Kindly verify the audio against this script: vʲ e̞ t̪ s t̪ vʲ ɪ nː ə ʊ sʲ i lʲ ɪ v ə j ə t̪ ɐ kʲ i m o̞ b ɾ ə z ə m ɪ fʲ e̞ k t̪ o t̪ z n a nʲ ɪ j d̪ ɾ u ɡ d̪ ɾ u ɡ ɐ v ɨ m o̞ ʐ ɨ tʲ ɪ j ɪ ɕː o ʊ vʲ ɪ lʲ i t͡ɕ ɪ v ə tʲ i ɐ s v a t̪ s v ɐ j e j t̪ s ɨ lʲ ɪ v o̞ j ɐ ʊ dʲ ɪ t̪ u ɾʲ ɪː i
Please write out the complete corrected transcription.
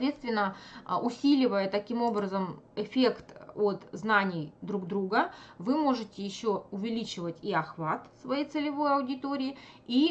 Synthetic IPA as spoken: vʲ e̞ t̪ s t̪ vʲ ɪ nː ə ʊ sʲ i lʲ ɪ v ə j ə t̪ ɐ kʲ i m o̞ b ɾ ə z ə m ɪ fʲ e̞ k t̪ o t̪ z n a nʲ ɪ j d̪ ɾ u ɡ d̪ ɾ u ɡ ə v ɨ m o̞ ʐ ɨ tʲ ɪ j ɪ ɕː o ʊ vʲ ɪ lʲ i t͡ɕ ɪ v ə tʲ i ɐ x v a t̪ s v ɐ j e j t̪ s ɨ lʲ ɪ v o̞ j ɐ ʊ dʲ ɪ t̪ o ɾʲ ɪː i